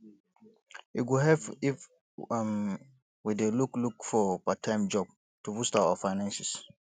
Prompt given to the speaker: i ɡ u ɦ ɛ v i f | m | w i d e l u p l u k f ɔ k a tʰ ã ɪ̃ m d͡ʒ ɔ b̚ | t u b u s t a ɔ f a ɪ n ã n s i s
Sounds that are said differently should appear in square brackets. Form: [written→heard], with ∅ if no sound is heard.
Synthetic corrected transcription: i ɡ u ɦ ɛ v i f | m | w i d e l u [p→k] l u k f ɔ [k→p] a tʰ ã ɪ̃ m d͡ʒ ɔ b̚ | t u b u s t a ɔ f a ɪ n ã n s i s